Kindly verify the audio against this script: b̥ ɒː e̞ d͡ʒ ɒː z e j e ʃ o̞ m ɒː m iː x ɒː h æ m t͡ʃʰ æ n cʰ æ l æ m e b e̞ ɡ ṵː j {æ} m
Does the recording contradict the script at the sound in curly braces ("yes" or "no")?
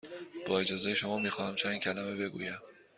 no